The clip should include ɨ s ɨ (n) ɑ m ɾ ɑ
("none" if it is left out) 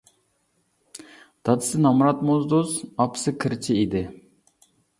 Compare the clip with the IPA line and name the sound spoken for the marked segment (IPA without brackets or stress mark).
n